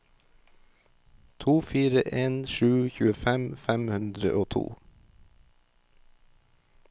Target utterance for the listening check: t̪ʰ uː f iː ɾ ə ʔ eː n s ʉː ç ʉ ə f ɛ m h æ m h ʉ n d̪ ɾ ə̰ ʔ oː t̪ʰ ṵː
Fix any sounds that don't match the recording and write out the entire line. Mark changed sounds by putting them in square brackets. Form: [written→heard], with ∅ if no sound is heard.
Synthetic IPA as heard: t̪ʰ uː f iː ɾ ə ʔ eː n [s→ʃ] ʉː ç [ʉ→ʉː] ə f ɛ m [h→f] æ m h ʉ n d̪ ɾ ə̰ ʔ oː t̪ʰ ṵː